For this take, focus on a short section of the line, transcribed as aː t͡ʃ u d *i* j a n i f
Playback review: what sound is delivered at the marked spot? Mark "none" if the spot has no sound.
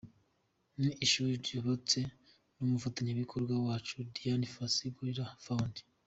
i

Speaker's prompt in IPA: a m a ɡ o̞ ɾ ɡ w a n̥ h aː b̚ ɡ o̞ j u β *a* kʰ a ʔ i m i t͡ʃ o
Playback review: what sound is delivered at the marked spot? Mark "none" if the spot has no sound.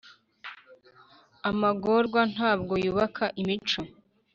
a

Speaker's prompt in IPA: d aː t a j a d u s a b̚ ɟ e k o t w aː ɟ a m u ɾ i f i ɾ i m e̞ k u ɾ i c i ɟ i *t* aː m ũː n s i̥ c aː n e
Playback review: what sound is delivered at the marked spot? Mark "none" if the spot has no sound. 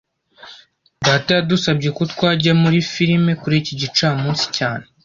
t͡ʃ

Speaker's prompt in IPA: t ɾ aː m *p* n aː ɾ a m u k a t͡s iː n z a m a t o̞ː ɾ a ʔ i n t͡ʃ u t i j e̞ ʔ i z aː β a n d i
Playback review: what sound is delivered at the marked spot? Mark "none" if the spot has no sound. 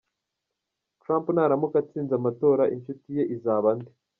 p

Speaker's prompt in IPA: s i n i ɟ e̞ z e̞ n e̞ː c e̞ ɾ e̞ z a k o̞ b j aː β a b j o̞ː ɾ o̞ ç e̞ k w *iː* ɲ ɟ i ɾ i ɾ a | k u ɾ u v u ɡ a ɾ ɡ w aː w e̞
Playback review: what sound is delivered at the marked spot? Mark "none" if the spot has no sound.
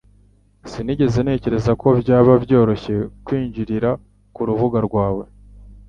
iː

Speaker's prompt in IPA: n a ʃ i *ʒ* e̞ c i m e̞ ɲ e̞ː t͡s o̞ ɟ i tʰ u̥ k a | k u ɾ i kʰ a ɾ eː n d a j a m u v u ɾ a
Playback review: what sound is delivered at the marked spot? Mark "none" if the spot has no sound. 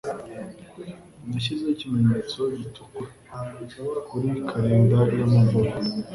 z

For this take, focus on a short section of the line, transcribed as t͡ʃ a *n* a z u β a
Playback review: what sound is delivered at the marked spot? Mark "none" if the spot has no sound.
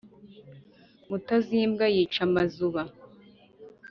m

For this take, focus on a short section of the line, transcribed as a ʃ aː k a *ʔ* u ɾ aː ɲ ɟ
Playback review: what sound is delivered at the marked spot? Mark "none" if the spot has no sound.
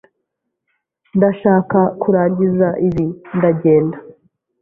k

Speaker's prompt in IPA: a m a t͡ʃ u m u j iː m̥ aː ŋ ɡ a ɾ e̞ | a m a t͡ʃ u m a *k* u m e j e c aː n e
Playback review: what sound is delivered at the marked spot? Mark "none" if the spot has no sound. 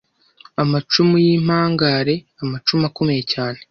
k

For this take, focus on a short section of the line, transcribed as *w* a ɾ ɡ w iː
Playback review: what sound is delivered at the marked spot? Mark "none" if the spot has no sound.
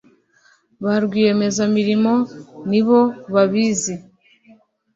β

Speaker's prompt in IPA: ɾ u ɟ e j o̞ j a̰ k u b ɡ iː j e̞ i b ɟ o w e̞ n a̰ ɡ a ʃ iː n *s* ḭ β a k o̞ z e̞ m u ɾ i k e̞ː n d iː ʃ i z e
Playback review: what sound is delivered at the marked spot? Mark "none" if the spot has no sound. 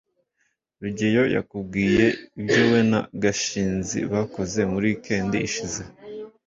z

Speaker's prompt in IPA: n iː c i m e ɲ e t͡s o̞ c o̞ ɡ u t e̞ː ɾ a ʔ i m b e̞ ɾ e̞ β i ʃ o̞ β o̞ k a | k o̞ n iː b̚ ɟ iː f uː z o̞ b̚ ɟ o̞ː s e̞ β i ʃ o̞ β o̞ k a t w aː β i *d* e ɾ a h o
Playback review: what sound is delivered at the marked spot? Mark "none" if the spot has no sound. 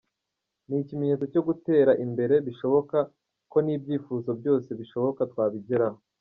ɟ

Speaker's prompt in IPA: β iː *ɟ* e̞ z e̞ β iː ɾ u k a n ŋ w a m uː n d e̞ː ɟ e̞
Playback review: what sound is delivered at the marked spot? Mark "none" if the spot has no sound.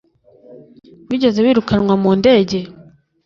ɟ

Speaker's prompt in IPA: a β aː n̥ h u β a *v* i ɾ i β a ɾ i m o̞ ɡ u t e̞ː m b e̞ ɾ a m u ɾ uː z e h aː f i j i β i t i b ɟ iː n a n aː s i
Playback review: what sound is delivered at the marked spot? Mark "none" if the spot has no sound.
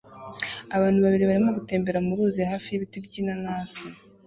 β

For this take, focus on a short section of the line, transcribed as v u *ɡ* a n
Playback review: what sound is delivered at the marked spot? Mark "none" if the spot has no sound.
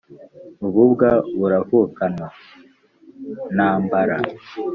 k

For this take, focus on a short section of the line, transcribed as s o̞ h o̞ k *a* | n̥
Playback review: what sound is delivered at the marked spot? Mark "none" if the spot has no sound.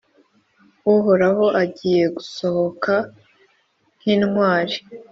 a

